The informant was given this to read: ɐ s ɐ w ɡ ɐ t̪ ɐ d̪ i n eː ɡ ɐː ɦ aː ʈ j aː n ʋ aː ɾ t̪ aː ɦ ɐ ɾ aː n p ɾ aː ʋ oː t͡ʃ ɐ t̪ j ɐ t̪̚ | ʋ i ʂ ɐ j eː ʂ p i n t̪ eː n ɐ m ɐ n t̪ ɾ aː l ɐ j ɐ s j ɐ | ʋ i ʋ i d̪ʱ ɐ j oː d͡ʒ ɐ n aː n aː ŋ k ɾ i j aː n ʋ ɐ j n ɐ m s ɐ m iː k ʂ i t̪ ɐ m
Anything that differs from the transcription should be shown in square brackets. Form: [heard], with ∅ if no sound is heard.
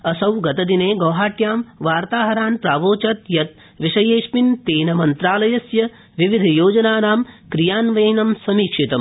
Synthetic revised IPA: ɐ s ɐ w ɡ ɐ t̪ ɐ d̪ i n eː ɡ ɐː ɦ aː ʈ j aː [m] ʋ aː ɾ t̪ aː ɦ ɐ ɾ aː n p ɾ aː ʋ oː t͡ʃ ɐ t̪ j ɐ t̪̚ | ʋ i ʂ ɐ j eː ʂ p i n t̪ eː n ɐ m ɐ n t̪ ɾ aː l ɐ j ɐ s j ɐ | ʋ i ʋ i d̪ʱ ɐ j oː d͡ʒ ɐ n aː n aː [m] k ɾ i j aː n ʋ ɐ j n ɐ m s ɐ m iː k ʂ i t̪ ɐ m